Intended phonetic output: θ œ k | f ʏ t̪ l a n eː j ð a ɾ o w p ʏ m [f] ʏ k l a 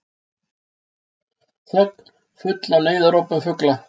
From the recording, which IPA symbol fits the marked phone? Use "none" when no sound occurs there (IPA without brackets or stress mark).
f